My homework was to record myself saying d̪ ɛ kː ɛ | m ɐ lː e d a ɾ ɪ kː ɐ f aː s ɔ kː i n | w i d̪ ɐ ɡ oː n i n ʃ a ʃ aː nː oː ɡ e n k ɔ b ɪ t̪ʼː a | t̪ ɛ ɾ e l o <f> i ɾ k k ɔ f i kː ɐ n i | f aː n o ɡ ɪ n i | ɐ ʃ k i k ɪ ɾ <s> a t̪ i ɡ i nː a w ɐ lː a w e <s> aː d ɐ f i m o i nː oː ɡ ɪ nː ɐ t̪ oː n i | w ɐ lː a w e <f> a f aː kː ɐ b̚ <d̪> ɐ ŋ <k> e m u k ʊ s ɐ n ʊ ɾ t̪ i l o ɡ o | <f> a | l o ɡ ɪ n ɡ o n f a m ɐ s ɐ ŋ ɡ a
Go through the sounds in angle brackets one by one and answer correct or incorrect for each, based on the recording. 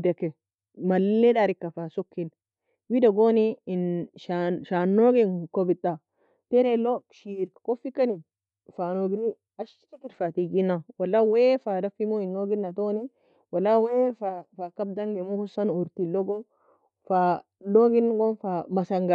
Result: incorrect: ʃ, incorrect: f, incorrect: f, correct, correct, incorrect: ɡ, correct

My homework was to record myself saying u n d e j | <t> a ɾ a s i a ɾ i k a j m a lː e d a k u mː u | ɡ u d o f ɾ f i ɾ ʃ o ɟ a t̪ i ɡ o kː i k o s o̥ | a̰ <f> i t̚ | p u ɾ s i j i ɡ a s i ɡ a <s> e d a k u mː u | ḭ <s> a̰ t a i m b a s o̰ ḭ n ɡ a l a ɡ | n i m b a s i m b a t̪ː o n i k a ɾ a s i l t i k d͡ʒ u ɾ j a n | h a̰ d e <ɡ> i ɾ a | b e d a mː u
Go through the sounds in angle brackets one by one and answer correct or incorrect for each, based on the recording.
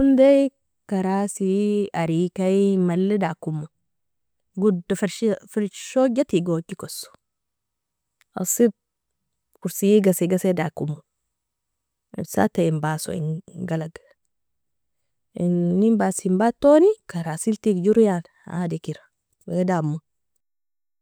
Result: incorrect: k, incorrect: s, correct, correct, incorrect: k

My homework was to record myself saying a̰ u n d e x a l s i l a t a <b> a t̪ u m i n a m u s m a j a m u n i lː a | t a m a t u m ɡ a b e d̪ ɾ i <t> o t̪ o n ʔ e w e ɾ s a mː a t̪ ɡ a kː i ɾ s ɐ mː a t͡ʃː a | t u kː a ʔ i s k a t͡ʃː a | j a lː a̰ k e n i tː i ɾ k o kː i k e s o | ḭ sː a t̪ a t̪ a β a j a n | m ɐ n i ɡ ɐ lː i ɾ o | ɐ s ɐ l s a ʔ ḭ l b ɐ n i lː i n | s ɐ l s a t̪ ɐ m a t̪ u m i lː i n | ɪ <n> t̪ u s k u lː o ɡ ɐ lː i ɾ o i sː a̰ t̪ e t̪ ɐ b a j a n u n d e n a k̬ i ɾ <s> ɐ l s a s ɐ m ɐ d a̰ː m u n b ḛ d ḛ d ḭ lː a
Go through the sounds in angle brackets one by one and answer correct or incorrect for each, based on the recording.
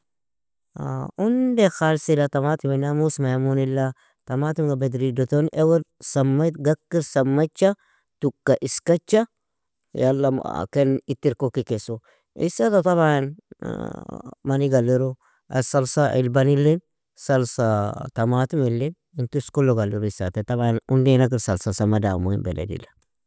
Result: incorrect: m, incorrect: d, correct, correct

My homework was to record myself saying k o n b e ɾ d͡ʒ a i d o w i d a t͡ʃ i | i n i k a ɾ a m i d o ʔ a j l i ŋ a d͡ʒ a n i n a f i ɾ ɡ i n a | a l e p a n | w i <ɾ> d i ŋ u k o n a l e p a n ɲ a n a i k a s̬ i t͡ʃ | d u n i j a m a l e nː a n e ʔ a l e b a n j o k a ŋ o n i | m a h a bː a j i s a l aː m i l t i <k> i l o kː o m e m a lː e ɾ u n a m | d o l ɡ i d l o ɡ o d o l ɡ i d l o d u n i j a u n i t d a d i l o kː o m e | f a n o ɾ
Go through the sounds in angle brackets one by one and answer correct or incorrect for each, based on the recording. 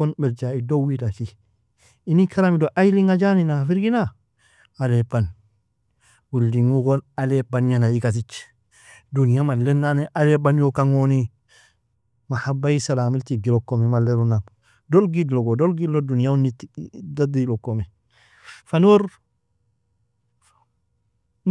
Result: incorrect: l, incorrect: ɡ

